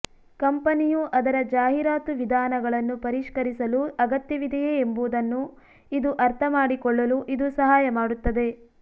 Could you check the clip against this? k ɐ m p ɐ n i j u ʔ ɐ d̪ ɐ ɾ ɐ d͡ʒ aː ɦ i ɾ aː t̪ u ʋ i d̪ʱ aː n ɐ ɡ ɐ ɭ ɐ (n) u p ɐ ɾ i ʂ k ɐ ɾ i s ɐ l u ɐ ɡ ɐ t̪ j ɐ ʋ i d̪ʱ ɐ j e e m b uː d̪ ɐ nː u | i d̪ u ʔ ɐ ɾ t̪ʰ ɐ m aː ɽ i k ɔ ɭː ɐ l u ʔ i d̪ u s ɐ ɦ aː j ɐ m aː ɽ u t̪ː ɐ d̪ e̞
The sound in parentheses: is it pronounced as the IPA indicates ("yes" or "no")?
no